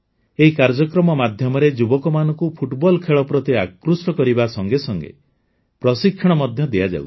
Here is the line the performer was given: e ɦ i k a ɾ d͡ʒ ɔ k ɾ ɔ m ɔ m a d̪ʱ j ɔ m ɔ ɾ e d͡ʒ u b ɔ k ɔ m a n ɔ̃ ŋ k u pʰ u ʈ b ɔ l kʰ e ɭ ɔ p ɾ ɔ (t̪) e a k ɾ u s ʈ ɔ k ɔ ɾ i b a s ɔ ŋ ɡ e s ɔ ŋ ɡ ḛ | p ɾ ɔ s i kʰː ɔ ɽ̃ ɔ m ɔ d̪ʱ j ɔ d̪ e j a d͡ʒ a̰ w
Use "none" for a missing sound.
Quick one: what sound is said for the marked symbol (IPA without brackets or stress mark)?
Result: t̪